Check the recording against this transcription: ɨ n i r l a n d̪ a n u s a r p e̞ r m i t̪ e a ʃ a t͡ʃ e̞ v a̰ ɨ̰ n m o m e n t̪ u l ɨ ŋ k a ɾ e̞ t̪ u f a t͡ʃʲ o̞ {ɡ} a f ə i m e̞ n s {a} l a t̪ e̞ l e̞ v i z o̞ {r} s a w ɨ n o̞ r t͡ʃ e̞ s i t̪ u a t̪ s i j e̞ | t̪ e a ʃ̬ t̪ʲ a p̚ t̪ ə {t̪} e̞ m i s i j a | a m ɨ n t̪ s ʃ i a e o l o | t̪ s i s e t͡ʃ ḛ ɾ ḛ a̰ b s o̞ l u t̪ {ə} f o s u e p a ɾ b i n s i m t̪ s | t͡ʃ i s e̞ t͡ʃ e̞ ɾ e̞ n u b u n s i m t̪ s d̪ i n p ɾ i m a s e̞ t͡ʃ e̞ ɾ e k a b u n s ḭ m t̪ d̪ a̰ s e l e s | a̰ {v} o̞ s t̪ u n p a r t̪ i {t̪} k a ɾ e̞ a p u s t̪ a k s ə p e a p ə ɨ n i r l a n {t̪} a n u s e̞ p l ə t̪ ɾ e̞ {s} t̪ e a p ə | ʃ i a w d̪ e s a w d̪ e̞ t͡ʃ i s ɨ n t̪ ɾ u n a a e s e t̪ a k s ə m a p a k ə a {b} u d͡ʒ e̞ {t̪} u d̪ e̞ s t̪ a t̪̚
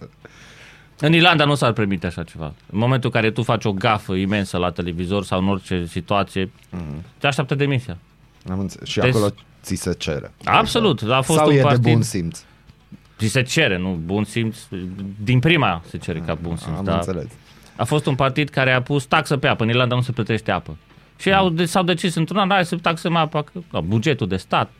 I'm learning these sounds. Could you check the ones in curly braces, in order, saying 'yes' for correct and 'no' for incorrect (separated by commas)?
yes, no, yes, no, no, no, no, no, no, yes, yes